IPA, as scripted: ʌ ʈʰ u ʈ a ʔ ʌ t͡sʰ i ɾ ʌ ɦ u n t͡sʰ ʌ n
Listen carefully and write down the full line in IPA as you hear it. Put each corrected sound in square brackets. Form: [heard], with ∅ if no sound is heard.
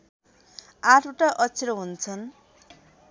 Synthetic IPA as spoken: [a] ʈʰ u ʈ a ʔ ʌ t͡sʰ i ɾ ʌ ɦ u n t͡sʰ ʌ n